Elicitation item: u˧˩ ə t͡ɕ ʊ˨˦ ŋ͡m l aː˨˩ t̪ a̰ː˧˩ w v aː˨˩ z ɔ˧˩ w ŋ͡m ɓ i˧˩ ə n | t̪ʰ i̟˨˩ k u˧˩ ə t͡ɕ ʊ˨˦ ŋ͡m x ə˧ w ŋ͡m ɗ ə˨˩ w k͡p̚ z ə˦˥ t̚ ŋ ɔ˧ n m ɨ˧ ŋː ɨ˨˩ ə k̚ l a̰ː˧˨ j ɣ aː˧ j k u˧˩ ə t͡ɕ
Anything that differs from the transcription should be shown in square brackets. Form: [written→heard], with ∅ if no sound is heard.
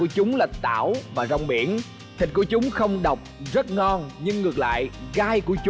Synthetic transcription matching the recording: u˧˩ ə t͡ɕ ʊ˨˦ ŋ͡m l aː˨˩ t̪ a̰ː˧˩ w v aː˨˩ z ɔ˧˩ w ŋ͡m ɓ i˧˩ ə n | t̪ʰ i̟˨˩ k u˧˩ ə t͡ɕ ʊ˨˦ ŋ͡m x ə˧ w ŋ͡m ɗ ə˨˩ w k͡p̚ z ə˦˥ t̚ ŋ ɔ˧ n [m→ɲ] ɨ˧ ŋː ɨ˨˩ ə k̚ l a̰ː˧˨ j ɣ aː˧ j k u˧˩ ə t͡ɕ